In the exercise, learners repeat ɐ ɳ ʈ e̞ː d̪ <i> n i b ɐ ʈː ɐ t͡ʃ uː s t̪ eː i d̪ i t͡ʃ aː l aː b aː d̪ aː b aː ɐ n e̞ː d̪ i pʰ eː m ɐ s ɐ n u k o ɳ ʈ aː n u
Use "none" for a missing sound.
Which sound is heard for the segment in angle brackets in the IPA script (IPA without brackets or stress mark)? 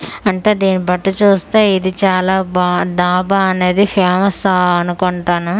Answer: iː